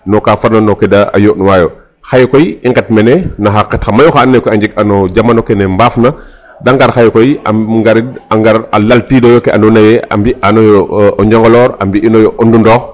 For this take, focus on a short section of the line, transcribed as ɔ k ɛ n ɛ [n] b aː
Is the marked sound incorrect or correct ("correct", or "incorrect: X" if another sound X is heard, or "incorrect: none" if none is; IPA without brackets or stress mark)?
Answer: incorrect: m